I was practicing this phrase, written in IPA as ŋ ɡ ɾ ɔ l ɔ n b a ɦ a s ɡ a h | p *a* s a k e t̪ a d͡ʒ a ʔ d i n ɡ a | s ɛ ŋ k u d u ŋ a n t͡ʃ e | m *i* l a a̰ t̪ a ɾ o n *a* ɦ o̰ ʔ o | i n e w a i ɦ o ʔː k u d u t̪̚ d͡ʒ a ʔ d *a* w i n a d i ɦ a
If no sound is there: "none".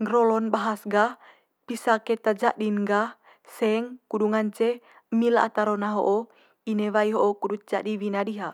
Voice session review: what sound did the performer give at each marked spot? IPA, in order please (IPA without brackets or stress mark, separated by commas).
i, i, a, i